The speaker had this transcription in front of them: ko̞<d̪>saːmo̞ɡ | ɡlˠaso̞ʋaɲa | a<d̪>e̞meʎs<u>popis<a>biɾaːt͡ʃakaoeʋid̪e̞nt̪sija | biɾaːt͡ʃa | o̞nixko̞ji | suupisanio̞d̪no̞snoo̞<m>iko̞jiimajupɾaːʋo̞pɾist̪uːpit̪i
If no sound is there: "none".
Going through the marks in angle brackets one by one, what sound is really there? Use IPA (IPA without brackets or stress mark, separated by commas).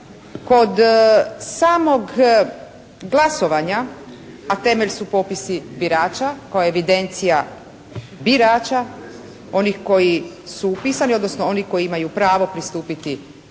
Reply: d̪, t̪, u, i, n